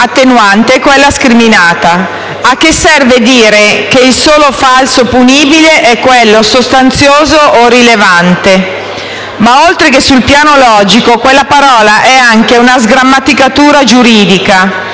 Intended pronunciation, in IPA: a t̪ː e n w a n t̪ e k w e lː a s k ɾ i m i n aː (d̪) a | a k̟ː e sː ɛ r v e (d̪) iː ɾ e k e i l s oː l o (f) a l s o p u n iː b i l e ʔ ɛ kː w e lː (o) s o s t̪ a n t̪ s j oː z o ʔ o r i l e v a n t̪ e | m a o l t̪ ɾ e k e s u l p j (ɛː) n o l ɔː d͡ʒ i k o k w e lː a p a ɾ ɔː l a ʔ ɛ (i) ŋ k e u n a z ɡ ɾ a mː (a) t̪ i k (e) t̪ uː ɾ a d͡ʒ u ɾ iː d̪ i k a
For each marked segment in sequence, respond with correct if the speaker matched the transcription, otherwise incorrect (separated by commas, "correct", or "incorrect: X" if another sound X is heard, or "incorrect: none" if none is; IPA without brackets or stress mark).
incorrect: t̪, correct, correct, correct, incorrect: aː, incorrect: a, correct, incorrect: a